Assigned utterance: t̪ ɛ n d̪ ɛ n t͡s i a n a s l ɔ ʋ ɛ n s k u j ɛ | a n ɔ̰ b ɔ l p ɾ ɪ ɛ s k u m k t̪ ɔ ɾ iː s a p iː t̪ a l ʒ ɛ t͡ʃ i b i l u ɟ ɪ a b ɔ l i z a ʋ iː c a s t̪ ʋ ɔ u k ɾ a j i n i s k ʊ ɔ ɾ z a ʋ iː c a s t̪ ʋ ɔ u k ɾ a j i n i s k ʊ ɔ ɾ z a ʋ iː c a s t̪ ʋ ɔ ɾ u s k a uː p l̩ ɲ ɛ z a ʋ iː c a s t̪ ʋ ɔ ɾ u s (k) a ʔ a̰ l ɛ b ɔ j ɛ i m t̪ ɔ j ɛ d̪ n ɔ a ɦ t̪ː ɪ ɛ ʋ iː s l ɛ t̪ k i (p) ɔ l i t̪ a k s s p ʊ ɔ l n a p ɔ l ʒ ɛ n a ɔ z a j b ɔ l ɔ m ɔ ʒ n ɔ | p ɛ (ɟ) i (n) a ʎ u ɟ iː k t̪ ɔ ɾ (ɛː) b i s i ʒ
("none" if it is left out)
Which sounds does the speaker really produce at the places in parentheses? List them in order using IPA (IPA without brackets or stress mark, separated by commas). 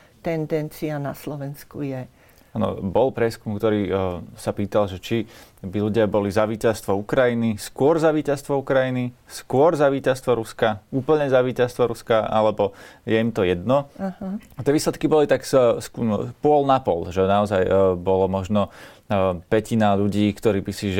k, b, c, n, iː